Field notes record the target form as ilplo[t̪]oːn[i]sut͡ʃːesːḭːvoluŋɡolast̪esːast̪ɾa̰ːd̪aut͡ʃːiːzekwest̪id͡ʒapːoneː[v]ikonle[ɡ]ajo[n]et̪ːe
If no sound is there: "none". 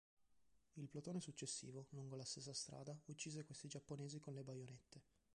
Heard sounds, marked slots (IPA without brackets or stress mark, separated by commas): t̪, e, z, b, n